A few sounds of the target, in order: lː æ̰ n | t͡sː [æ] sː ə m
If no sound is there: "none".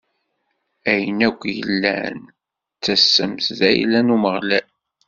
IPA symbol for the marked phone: æ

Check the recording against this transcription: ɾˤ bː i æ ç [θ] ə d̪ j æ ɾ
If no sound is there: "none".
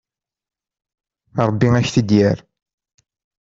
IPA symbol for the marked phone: θ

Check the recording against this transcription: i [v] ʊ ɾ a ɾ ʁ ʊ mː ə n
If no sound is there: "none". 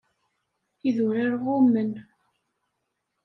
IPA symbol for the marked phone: ð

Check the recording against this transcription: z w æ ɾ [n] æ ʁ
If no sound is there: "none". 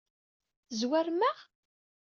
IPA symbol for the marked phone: m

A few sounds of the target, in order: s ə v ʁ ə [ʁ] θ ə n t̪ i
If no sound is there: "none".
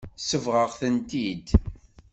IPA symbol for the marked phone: ʁ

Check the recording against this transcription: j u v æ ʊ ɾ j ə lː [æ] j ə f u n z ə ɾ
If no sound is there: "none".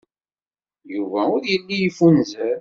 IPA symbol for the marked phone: i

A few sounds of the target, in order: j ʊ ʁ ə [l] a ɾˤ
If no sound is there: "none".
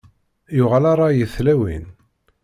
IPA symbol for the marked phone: l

